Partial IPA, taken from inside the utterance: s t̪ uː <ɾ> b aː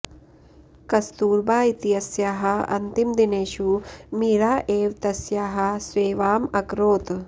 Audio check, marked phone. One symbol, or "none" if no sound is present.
ɾ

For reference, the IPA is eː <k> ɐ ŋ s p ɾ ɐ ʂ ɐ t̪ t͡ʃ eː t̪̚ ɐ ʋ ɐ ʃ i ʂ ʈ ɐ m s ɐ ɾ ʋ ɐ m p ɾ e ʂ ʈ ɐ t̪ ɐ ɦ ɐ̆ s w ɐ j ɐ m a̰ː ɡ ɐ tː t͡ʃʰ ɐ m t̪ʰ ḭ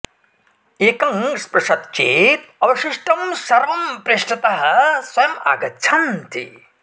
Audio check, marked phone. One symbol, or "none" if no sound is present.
k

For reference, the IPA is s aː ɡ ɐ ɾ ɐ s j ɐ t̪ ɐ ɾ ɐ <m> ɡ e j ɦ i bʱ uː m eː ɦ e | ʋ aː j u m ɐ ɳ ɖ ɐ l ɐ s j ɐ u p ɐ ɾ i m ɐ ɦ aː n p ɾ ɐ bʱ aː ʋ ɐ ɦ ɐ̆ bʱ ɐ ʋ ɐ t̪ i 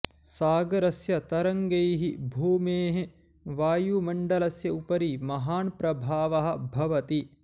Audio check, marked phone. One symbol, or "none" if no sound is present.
ŋ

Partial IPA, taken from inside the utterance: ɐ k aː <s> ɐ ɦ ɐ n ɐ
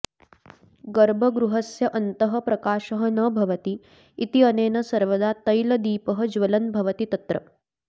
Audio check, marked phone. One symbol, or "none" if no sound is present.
ʃ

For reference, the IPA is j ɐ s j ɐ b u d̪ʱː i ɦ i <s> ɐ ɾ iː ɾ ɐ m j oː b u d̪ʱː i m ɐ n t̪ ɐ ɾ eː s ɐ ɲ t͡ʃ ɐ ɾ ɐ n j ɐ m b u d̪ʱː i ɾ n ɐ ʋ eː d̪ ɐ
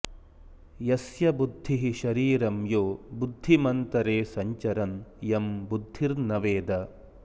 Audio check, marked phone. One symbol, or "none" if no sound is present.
ʃ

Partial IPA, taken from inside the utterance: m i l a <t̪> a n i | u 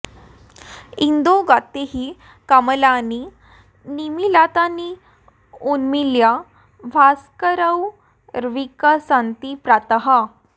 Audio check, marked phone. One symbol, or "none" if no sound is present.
t̪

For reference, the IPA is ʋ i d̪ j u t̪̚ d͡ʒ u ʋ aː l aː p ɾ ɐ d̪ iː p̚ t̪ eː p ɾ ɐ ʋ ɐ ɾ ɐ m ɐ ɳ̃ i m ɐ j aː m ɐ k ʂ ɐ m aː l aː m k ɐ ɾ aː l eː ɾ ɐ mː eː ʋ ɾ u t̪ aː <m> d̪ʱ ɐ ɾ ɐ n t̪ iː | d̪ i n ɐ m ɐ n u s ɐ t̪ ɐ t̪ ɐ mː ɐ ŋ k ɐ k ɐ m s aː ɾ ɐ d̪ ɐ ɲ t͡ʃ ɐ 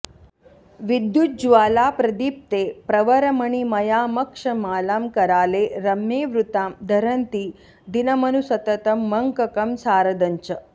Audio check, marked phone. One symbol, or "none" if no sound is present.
m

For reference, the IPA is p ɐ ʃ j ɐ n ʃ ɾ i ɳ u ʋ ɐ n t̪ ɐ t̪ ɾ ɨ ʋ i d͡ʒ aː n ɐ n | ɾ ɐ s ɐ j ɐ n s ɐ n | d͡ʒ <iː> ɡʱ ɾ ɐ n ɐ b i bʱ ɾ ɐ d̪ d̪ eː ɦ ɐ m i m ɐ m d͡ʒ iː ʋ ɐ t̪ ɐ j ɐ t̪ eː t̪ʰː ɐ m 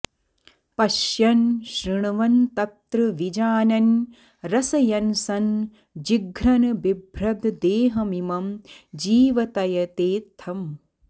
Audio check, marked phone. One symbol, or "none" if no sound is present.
i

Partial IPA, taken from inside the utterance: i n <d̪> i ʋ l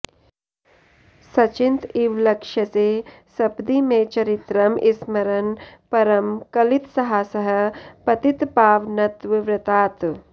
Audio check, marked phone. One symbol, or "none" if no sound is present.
t̪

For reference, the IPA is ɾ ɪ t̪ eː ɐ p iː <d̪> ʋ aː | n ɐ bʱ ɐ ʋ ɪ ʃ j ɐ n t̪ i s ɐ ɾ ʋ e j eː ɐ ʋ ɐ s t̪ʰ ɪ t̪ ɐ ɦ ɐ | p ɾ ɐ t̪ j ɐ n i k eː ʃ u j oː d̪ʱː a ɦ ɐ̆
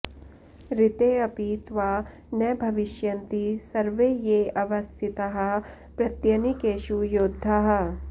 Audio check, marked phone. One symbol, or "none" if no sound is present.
t̪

